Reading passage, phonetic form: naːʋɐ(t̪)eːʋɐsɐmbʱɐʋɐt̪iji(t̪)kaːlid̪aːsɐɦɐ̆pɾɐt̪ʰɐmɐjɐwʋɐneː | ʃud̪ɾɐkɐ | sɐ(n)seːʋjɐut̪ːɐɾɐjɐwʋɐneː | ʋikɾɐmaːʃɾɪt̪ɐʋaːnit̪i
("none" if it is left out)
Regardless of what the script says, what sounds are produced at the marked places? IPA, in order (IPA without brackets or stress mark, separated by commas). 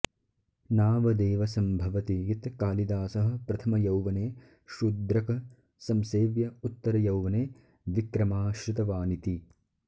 d̪, t̪, m